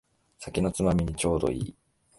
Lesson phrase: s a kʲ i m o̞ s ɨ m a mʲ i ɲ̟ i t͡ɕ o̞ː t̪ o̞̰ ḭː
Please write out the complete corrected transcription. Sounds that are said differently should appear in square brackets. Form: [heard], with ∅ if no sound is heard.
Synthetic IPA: s a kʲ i [n] o̞ [t͡s] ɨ m a mʲ i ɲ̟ i t͡ɕ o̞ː [d̪] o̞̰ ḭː